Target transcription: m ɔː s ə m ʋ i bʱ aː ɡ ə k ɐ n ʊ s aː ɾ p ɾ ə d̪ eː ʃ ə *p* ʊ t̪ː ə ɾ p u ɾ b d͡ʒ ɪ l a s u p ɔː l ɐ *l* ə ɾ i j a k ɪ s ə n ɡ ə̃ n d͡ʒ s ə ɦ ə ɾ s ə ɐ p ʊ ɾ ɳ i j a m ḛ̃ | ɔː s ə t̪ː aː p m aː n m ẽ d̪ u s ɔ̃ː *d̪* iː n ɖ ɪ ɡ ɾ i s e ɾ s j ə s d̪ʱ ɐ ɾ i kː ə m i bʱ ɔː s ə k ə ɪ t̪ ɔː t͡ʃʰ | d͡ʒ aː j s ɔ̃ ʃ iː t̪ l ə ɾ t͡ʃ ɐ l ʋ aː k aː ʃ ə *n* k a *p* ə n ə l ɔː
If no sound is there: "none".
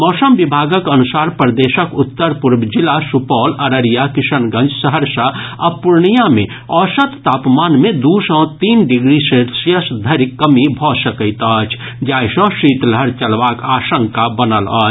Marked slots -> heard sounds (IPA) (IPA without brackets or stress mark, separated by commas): k, ɾ, t̪, ŋ, b